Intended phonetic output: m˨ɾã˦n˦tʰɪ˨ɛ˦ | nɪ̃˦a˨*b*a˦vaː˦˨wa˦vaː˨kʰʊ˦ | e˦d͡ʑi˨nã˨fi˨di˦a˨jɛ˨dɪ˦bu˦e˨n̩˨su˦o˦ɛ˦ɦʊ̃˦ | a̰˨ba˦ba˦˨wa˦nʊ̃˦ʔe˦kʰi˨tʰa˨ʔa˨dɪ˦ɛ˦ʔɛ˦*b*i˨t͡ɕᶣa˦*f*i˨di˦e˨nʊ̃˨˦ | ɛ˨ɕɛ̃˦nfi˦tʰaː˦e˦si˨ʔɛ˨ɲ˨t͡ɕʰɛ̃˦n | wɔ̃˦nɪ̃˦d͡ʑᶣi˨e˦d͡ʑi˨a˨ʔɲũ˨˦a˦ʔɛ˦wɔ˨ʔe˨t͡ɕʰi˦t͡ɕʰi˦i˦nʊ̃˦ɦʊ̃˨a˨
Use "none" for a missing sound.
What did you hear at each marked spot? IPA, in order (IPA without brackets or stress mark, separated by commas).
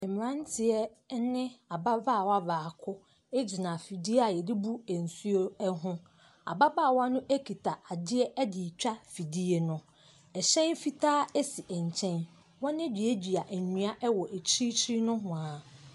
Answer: b, d, f